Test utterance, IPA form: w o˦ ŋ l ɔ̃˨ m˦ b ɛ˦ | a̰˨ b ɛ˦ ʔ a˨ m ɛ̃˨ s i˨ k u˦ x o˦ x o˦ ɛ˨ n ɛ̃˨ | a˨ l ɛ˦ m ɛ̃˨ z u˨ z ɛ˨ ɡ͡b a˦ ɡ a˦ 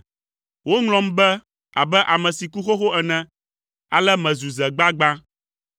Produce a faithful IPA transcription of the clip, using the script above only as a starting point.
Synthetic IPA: w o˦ ŋ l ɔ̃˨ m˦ b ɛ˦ | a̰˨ b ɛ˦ ʔ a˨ m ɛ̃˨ s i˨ k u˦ x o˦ x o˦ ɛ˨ n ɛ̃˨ | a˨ l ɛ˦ m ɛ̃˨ z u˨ z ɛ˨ ɡ͡b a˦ ɡ͡b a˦

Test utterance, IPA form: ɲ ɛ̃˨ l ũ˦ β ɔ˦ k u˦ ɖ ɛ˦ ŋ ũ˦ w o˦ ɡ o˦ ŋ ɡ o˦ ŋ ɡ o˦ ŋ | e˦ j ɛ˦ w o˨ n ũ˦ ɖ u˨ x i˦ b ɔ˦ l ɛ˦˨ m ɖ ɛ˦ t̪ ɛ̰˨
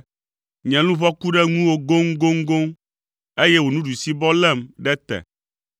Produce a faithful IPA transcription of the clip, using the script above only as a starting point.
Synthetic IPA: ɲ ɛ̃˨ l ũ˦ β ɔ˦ k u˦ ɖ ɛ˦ ŋ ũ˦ w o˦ ɡ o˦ ŋ ɡ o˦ ŋ ɡ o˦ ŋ | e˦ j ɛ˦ w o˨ n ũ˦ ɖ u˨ s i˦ b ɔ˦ l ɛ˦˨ m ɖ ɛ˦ t̪ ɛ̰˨

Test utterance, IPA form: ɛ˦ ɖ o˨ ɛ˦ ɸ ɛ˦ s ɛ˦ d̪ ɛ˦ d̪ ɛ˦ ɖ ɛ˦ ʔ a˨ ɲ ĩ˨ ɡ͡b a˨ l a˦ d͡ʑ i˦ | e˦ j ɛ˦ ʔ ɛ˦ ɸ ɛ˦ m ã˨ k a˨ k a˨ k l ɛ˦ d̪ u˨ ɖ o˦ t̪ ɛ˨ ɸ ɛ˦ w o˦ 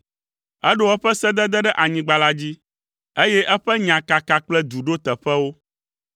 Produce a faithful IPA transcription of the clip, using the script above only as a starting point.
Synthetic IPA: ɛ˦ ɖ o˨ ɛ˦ ɸ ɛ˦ s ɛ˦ d̪ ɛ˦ d̪ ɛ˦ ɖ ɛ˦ ʔ a˨ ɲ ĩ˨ ɡ͡b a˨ l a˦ d͡ʑ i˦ | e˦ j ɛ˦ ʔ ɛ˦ ɸ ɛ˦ ɲ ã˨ k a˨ k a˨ k͡p l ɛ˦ d̪ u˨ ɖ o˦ t̪ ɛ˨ ɸ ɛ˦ w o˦

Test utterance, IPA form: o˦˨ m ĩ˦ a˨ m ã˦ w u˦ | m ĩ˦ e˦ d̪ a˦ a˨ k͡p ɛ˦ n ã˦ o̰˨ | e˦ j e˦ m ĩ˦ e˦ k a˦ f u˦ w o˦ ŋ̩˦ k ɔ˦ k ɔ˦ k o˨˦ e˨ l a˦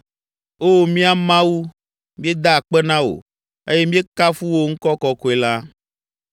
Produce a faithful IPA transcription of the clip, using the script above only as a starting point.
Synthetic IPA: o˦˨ m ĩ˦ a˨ m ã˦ w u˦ | m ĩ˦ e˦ d̪ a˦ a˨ k͡p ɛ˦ n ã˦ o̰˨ | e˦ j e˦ m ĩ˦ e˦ k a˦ f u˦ w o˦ ŋ̩˦ k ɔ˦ k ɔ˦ k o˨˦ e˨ l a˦

